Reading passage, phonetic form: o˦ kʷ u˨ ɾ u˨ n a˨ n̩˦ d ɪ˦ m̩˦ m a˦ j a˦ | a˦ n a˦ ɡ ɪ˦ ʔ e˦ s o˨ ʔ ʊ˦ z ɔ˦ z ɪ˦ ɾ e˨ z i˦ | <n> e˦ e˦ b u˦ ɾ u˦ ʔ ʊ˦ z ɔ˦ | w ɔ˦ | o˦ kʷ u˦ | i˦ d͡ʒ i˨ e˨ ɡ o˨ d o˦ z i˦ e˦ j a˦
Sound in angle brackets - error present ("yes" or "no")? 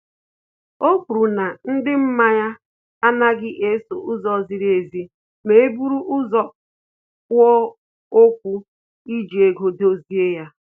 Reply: yes